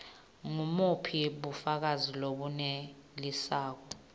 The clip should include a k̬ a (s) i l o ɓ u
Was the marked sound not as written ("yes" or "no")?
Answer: yes